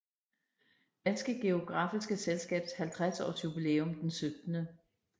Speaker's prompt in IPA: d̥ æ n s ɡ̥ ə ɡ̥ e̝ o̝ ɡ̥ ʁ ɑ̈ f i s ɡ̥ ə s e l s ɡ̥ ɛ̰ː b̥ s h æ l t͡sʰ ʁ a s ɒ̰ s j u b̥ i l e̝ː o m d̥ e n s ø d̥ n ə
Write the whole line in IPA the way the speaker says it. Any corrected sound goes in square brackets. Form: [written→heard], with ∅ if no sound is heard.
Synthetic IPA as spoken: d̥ æ n s ɡ̥ ə ɡ̥ e̝ o̝ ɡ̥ ʁ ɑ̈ f i s ɡ̥ ə s e l s ɡ̥ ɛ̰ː b̥ s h æ l t͡sʰ ʁ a s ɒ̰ s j u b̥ i l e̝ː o m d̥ e n s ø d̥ n ə